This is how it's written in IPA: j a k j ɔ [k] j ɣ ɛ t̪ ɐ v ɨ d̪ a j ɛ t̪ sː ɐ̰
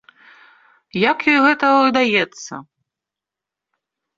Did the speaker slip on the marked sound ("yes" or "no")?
yes